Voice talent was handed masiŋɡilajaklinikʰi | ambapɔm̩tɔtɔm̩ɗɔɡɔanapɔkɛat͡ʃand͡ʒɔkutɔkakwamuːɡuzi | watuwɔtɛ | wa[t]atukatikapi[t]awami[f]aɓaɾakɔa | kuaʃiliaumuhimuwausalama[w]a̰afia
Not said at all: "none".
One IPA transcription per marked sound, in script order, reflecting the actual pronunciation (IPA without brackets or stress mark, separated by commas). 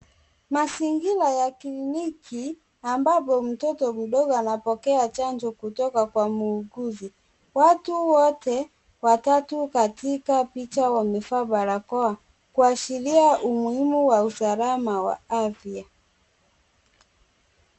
t, t͡ʃ, f, w